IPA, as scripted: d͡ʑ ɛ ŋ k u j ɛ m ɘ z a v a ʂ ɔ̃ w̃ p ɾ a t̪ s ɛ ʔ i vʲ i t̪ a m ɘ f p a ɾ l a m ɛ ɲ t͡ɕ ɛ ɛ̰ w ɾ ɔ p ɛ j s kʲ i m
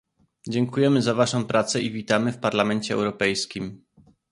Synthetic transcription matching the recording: d͡ʑ ɛ ŋ k u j ɛ m ɘ z a v a ʂ ɔ̃ w̃ p ɾ a t̪ s ɛ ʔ i vʲ i t̪ a m ɘ f p a ɾ l a m ɛ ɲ t͡ɕ ɛ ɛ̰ w ɾ ɔ p ɛ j s kʲ i m

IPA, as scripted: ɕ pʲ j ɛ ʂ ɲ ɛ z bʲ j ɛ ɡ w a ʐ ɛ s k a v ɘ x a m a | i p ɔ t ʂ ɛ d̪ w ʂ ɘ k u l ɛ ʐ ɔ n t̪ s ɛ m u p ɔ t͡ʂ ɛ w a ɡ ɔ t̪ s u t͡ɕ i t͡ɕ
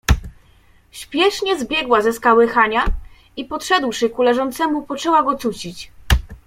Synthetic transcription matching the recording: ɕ pʲ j ɛ ʂ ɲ ɛ z bʲ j ɛ ɡ w a z ɛ s k a w ɘ x a ɲ a | i p ɔ t ʂ ɛ d̪ w ʂ ɘ k u l ɛ ʐ ɔ n t̪ s ɛ m u p ɔ t͡ʂ ɛ w a ɡ ɔ t̪ s u t͡ɕ i t͡ɕ

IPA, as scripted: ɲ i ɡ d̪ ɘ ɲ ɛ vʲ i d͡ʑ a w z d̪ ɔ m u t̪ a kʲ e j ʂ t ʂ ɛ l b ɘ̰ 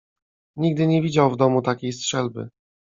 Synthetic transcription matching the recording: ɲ i ɡ d̪ ɘ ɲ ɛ vʲ i d͡ʑ a w v d̪ ɔ m u t̪ a kʲ e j s t ʂ ɛ l b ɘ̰

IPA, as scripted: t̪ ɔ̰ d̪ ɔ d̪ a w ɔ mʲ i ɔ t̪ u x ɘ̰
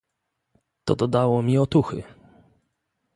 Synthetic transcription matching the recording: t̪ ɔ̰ d̪ ɔ d̪ a w ɔ mʲ i ɔ t̪ u x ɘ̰

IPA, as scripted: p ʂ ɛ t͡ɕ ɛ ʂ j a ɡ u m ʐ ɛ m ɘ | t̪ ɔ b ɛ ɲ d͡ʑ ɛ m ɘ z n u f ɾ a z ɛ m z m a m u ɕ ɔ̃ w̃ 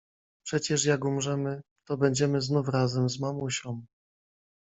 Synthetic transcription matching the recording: p ʂ ɛ t͡ɕ ɛ ʂ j a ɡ u m ʐ ɛ m ɘ | t̪ ɔ b ɛ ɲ d͡ʑ ɛ m ɘ z n u f ɾ a z ɛ m z m a m u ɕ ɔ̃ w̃

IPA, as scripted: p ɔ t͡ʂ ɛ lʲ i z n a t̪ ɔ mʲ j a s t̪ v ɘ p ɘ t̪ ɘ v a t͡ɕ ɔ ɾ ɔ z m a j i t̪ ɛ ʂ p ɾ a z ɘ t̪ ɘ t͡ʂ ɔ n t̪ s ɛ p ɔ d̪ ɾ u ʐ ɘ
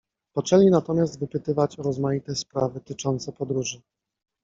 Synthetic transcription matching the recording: p ɔ t͡ʂ ɛ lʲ i n a t̪ ɔ mʲ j a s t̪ v ɘ p ɘ t̪ ɘ v a t͡ɕ ɔ ɾ ɔ z m a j i t̪ ɛ s p ɾ a v ɘ t̪ ɘ t͡ʂ ɔ n t̪ s ɛ p ɔ d̪ ɾ u ʐ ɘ

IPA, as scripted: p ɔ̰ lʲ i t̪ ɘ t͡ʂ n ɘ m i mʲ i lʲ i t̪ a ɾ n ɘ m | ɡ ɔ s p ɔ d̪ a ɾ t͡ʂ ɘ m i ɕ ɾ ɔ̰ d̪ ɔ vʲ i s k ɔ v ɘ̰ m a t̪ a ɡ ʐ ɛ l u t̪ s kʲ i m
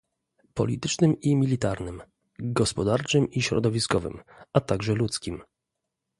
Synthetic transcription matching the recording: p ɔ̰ lʲ i t̪ ɘ t͡ʂ n ɘ m i mʲ i lʲ i t̪ a ɾ n ɘ m | ɡ ɔ s p ɔ d̪ a ɾ t͡ʂ ɘ m i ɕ ɾ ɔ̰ d̪ ɔ vʲ i s k ɔ v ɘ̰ m a t̪ a ɡ ʐ ɛ l u t̪ s kʲ i m

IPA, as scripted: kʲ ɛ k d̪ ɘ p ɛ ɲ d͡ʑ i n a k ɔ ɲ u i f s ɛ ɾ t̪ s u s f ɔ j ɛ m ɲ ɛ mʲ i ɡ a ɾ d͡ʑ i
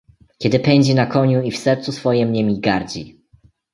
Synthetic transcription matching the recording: kʲ ɛ d̪ ɘ p ɛ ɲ d͡ʑ i n a k ɔ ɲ u i f s ɛ ɾ t̪ s u s f ɔ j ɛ m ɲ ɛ mʲ i ɡ a ɾ d͡ʑ i

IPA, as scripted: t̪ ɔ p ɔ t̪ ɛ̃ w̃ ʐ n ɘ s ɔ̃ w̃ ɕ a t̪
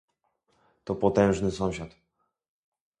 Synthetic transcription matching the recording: t̪ ɔ p ɔ t̪ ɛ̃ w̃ ʐ n ɘ s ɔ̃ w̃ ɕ a t̪

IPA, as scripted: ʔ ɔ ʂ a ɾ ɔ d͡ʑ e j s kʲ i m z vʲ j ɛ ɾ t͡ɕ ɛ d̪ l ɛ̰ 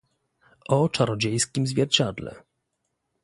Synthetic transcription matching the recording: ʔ ɔ t͡ʂ a ɾ ɔ d͡ʑ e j s kʲ i m z vʲ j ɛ ɾ t͡ɕ a d̪ l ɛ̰

